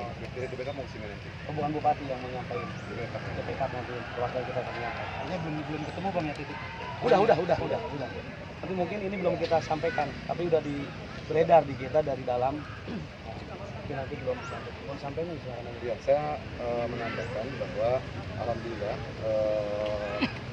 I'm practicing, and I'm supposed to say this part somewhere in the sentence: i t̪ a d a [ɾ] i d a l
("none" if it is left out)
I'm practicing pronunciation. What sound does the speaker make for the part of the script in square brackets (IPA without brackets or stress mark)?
ɾ